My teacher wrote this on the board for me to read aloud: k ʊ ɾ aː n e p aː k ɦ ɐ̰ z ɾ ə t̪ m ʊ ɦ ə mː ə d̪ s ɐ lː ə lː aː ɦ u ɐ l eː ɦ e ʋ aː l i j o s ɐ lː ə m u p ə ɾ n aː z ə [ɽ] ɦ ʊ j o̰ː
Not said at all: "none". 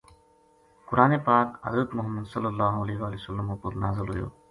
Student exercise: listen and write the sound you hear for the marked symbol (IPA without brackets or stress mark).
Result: l